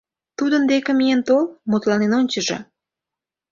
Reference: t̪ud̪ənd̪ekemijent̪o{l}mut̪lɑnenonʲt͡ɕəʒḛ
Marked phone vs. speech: correct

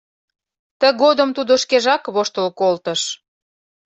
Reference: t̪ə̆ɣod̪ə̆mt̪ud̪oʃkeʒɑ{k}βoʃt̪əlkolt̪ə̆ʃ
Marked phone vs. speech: correct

